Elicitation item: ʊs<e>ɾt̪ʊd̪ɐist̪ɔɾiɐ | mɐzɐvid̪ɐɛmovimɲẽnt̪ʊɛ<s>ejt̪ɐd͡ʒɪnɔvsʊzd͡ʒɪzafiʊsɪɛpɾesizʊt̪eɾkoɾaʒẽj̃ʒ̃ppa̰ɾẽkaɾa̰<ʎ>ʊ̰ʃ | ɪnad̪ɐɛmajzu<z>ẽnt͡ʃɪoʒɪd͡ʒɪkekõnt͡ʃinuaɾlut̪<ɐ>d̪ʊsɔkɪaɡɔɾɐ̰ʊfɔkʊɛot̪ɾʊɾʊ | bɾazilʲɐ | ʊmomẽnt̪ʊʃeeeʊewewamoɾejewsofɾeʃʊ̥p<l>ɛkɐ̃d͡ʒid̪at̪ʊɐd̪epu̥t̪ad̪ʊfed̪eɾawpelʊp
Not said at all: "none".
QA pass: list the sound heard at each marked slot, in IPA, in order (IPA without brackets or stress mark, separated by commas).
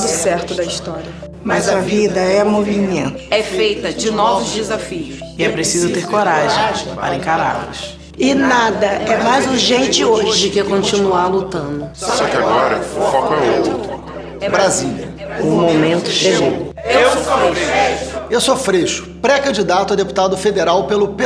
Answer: ɛ, f, l, ʒ, ɐ̃, ɾ